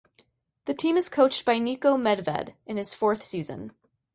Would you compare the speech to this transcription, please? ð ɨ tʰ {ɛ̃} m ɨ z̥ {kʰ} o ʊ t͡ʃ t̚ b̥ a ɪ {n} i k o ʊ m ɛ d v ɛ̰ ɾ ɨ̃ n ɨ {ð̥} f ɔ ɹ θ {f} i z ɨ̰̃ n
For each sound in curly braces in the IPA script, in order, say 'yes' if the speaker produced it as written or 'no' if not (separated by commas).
no, yes, yes, no, no